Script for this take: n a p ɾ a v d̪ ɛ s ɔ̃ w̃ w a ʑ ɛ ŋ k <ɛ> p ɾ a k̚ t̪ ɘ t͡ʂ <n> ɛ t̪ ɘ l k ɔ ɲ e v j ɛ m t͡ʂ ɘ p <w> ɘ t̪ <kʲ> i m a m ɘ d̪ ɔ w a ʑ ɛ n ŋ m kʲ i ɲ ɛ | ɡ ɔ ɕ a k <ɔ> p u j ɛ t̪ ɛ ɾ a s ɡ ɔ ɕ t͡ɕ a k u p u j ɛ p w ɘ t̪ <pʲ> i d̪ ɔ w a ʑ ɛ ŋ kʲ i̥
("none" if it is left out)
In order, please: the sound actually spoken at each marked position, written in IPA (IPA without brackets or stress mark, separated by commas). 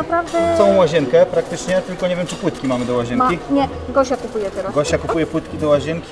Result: ɛ, ɲ, w, kʲ, u, kʲ